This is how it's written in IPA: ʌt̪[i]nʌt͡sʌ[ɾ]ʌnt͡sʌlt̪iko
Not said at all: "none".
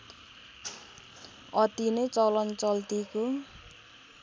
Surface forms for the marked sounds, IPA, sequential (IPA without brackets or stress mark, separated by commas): i, l